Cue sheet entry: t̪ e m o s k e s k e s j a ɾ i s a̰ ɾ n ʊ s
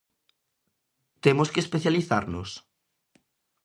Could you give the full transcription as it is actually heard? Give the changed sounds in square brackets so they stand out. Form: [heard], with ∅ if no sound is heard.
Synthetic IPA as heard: t̪ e m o s k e s [p] e [θ] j a [l] i [θ] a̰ ɾ n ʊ s